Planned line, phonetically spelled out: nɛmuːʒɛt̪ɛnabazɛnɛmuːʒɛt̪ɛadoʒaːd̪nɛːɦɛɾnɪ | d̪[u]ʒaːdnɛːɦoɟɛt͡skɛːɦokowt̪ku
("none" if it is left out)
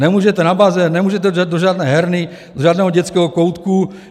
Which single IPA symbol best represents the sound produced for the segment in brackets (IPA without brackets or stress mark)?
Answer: o